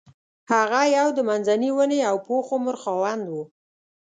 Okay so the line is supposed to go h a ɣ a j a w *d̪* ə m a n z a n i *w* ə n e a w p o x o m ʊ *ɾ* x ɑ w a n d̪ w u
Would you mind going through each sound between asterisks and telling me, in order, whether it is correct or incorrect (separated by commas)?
correct, correct, correct